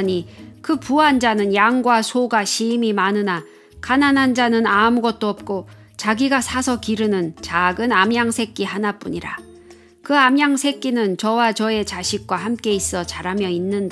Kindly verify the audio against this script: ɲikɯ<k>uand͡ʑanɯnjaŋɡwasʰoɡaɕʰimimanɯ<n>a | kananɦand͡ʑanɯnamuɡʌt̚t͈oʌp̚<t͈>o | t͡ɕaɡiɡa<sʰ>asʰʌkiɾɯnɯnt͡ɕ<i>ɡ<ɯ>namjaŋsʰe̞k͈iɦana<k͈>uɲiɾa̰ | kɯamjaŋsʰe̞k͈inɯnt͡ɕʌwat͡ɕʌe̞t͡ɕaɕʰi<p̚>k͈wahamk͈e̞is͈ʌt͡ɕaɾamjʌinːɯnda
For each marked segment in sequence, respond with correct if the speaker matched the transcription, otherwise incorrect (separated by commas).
incorrect, correct, incorrect, correct, incorrect, correct, incorrect, incorrect